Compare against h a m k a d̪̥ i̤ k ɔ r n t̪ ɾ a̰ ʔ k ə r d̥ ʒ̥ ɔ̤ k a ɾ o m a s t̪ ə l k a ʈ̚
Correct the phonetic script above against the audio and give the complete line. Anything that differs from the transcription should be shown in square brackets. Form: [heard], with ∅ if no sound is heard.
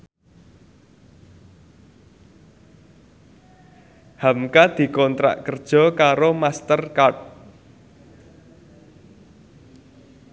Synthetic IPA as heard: h a m k a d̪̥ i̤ k ɔ [∅] n t̪ ɾ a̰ ʔ k ə r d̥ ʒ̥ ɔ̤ k a ɾ o m a s t̪ ə [r] k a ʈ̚